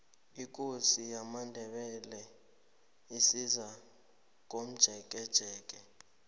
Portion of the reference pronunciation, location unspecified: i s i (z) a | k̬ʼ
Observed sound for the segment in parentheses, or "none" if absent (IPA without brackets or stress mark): z